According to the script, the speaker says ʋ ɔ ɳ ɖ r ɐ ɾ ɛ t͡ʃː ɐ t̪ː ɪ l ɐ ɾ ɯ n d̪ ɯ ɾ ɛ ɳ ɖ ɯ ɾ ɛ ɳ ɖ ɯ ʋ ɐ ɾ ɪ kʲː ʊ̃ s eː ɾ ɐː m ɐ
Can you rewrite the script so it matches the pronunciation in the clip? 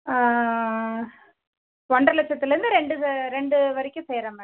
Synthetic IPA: ʋ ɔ ɳ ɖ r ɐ l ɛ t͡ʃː ɐ t̪ː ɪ l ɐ ɾ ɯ n d̪ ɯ ɾ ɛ ɳ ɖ ɯ ɾ ɛ ɳ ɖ ɯ ʋ ɐ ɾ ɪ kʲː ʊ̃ s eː ɾ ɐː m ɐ